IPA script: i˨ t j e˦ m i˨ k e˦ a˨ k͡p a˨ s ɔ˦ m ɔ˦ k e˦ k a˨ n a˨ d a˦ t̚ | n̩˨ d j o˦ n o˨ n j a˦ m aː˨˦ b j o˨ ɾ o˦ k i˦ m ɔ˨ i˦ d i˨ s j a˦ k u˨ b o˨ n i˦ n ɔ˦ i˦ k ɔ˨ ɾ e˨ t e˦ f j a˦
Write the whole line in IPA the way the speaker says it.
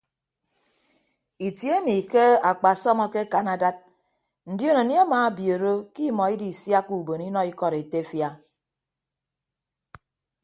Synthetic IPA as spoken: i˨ t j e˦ m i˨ k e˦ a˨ k͡p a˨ s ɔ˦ m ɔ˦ k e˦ k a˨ n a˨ d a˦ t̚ | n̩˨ d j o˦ n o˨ n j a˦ m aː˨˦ b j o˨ ɾ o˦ k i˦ m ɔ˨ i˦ d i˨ s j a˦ k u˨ b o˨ n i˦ n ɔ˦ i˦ k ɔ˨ ɾ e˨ t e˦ f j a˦